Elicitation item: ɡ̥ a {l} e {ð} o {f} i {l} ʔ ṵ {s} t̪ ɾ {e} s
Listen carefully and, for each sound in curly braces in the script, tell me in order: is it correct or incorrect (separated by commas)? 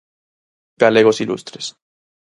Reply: correct, incorrect, incorrect, correct, correct, correct